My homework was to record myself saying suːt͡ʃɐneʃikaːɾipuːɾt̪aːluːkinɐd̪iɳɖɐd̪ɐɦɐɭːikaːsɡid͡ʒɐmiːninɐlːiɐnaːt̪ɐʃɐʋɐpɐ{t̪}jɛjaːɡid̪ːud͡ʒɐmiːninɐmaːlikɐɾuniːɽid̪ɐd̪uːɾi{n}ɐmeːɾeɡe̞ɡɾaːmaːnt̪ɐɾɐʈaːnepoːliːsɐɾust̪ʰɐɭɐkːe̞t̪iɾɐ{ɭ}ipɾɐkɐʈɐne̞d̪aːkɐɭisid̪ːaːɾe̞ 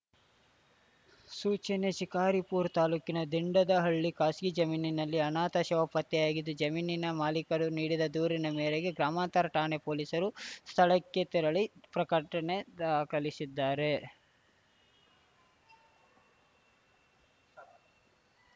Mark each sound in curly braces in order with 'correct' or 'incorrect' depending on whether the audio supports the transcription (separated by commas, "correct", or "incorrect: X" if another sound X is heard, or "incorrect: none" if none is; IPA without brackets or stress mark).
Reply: correct, correct, correct